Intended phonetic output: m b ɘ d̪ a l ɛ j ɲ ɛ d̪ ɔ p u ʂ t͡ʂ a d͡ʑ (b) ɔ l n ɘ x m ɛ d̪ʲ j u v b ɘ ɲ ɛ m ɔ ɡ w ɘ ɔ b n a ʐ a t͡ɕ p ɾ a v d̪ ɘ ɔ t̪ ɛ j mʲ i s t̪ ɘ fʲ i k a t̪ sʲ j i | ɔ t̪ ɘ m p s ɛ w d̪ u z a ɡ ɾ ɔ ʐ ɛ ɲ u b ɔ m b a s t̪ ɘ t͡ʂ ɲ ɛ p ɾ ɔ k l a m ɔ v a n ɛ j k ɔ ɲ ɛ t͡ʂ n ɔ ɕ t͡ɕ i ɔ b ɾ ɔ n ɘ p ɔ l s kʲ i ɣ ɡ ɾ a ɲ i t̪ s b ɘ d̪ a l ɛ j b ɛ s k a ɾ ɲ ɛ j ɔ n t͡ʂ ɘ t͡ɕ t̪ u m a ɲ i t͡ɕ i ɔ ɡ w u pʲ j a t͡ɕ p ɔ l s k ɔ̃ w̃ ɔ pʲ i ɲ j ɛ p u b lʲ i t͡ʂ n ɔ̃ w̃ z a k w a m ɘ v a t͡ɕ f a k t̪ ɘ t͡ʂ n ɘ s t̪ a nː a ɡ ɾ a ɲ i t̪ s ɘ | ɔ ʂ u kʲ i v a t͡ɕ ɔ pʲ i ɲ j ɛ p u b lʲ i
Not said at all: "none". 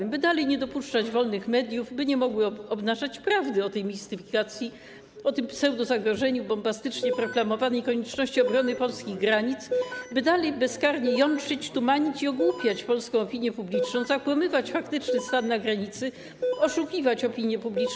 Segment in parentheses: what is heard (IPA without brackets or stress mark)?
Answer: v